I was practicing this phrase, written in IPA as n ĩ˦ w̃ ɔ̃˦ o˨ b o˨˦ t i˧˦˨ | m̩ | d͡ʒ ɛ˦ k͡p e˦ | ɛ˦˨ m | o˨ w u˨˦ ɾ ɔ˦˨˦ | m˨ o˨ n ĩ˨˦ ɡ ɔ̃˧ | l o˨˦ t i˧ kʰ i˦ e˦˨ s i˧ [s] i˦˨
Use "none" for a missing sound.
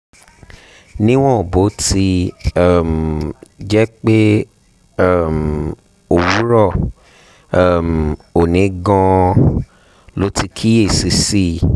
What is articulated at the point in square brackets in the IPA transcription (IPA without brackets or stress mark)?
s